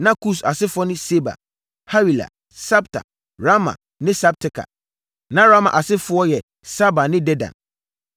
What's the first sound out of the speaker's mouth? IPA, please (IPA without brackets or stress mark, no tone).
n